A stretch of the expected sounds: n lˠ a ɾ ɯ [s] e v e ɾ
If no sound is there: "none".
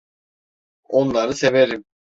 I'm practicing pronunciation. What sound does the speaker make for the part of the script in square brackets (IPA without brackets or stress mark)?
s